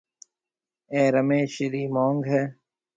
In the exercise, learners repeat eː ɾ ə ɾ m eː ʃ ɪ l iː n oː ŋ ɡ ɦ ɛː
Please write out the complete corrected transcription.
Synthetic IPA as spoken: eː ɾ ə m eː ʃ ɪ ɾ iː m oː ŋ ɡ ɦ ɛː